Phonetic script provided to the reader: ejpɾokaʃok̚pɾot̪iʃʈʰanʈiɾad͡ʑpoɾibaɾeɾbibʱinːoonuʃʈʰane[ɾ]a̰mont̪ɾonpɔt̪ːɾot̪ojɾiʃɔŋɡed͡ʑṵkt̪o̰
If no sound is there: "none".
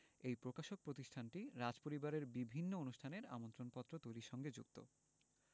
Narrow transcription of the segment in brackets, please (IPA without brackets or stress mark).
ɾ